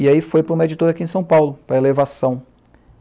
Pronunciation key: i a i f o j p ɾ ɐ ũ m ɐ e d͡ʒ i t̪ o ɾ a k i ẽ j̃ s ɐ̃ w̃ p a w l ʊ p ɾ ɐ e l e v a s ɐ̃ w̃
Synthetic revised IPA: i a i f o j p ɾ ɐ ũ m ɐ e d͡ʒ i t̪ o ɾ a k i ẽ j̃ s ɐ̃ w̃ p a w l ʊ p ɾ ɐ e l e v a s ɐ̃ w̃